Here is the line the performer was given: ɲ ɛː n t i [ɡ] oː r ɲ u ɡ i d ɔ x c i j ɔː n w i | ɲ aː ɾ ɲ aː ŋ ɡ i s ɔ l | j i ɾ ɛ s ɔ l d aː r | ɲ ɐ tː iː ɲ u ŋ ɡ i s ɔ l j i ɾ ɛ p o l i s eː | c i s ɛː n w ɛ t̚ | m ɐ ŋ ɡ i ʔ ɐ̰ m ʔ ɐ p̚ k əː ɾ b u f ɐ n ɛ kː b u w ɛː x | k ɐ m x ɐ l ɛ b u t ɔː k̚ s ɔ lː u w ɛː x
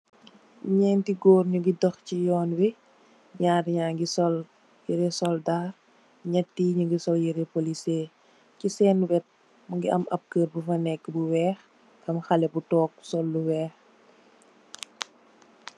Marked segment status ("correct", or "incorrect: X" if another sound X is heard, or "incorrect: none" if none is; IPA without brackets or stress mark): correct